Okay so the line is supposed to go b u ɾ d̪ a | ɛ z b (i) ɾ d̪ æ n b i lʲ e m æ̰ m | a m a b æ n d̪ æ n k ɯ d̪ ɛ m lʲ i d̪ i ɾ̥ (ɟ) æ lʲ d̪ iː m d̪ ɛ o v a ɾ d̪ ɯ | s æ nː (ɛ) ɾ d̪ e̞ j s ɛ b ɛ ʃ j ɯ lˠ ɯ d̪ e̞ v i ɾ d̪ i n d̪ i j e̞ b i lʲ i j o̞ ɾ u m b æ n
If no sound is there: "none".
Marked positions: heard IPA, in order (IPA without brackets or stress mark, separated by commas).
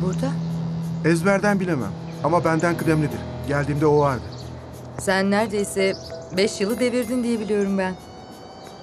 æ, ɟ, æ